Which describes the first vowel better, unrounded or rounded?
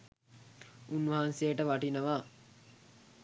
rounded